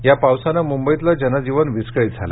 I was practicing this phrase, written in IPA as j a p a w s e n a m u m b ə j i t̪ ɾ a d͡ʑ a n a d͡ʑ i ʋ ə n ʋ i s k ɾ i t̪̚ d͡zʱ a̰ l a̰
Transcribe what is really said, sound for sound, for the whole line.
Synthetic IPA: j a p a w s a n a m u m b ə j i t̪ l a d͡ʑ ə n a d͡ʑ i ʋ ə n ʋ i s k ɭ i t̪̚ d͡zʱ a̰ l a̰